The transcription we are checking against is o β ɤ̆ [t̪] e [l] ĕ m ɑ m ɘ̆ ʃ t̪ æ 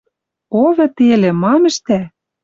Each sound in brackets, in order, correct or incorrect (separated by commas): correct, correct